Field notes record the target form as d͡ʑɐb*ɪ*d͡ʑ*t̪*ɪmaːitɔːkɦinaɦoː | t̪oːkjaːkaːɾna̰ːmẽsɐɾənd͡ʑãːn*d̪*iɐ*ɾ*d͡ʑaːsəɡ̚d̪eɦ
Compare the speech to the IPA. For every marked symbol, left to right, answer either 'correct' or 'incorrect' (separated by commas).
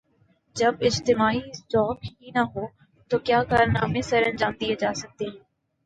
correct, correct, correct, incorrect